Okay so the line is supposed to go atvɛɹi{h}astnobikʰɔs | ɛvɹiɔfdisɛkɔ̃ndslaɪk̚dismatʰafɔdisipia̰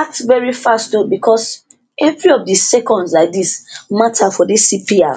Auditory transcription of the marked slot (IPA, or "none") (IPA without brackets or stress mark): f